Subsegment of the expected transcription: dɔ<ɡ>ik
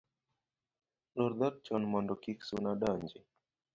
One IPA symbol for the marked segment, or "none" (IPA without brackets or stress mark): k